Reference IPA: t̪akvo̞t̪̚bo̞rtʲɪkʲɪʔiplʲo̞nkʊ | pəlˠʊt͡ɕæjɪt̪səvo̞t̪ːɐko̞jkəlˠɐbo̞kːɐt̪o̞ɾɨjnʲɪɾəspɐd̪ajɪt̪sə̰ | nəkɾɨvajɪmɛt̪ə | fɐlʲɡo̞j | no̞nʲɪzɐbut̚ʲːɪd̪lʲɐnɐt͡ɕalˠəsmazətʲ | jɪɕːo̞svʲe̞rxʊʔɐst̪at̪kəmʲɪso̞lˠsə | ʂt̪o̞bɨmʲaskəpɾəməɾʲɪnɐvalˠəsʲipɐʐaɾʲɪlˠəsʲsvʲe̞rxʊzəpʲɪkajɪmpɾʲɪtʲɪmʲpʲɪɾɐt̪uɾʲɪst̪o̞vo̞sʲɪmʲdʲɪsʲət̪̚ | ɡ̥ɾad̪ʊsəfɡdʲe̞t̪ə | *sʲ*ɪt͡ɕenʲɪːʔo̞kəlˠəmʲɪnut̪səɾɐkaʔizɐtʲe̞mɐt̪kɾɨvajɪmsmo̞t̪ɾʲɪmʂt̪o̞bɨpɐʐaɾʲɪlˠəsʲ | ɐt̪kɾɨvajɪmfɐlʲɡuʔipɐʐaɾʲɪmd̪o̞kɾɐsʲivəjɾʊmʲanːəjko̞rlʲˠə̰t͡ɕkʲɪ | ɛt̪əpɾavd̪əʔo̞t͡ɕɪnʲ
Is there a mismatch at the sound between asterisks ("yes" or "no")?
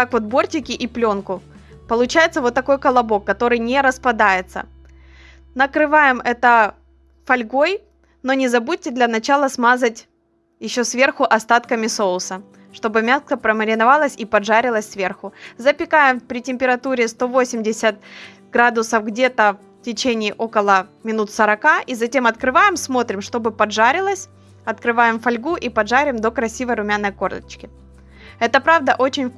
yes